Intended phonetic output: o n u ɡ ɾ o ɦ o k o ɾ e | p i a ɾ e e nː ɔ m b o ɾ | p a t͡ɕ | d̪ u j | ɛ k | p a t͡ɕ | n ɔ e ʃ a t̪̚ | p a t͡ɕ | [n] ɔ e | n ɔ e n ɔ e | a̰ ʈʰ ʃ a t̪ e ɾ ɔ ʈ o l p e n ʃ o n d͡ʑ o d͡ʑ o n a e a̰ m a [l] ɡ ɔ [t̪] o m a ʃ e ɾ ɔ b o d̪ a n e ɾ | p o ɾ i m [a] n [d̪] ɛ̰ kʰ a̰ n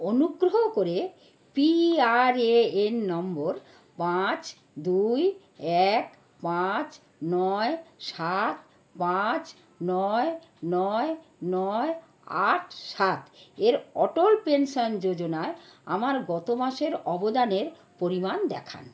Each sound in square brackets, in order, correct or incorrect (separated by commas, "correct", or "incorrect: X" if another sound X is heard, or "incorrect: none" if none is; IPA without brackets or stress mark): correct, incorrect: ɾ, correct, correct, correct